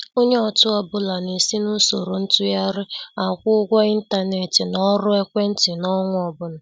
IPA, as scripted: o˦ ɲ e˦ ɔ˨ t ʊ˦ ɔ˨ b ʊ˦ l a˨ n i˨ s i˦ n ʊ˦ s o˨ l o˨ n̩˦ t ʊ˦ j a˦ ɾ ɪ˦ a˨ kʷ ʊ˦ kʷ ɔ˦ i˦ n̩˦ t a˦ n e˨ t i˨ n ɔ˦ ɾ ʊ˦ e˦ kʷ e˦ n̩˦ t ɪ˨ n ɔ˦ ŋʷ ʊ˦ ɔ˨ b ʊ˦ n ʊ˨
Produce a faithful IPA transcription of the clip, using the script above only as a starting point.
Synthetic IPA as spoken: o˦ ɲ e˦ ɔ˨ t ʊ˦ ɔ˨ b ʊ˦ l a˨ n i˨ s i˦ n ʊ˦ s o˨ ɾ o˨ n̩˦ t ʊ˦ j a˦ ɾ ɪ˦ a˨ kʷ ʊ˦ ɡʷ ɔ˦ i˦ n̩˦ t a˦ n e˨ t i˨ n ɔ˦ ɾ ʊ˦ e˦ kʷ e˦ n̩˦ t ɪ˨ n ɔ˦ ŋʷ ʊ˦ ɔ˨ b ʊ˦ n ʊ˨